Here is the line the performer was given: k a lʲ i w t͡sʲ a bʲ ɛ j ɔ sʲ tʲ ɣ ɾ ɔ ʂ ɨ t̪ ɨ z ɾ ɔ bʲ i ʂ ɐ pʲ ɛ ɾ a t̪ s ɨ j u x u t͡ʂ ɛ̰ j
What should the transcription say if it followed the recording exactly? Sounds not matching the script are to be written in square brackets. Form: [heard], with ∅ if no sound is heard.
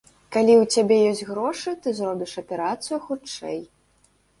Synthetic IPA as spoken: k a lʲ i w t͡sʲ a bʲ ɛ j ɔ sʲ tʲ ɣ ɾ ɔ ʂ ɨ t̪ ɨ z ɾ ɔ bʲ i ʂ ɐ pʲ ɛ ɾ a t̪ s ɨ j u x u t͡ʂ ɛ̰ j